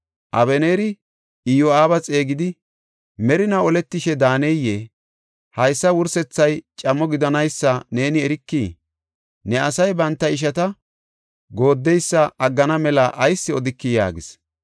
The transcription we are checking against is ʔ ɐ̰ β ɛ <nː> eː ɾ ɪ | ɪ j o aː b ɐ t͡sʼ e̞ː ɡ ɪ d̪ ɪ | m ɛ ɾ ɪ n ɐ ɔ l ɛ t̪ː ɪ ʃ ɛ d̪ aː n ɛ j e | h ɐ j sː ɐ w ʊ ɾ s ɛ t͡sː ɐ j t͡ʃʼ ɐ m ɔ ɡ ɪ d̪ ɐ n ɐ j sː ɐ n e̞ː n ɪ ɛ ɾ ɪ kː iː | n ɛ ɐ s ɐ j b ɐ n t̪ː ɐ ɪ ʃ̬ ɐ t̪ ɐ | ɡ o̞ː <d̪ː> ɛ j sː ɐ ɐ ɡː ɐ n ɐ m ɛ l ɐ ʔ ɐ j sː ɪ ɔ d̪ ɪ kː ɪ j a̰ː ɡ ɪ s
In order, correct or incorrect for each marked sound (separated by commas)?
incorrect, correct